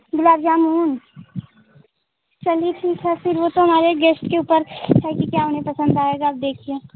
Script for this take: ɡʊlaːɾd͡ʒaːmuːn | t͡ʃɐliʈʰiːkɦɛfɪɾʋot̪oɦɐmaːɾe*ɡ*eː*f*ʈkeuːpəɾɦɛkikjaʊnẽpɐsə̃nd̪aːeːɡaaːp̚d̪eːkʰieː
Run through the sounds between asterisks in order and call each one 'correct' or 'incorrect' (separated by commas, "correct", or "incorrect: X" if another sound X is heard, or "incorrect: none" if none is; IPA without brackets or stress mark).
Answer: correct, incorrect: s